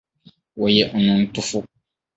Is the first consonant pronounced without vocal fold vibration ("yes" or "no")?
no